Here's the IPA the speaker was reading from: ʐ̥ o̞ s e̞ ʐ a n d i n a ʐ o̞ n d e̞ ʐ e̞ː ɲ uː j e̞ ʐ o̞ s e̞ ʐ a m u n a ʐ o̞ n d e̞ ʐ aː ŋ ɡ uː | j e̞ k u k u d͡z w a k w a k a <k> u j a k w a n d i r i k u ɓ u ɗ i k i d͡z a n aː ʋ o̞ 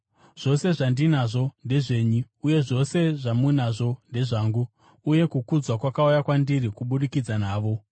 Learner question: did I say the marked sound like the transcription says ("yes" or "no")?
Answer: no